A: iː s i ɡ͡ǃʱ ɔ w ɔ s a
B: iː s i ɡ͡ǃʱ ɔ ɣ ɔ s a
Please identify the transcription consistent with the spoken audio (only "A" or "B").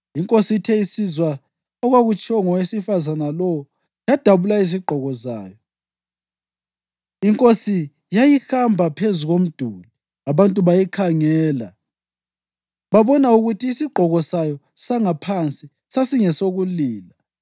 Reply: B